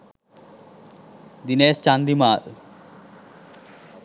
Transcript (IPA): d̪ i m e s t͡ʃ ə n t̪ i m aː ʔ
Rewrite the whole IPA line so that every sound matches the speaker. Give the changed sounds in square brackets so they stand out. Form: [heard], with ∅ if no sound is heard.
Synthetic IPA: d̪ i [n] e s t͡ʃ [a] n [d̪] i m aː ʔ